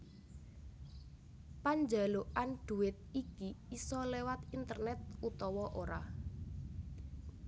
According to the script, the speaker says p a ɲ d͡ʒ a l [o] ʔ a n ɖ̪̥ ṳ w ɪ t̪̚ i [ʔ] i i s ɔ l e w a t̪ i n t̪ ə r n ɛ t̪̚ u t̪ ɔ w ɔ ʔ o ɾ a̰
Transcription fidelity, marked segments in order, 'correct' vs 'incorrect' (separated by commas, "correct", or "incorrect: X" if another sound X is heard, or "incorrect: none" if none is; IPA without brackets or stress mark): correct, incorrect: k